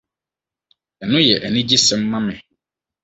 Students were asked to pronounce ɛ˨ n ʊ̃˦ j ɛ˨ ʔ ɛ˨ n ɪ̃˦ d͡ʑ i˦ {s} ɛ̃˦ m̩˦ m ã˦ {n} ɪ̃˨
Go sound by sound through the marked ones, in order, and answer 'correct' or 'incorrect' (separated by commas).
correct, incorrect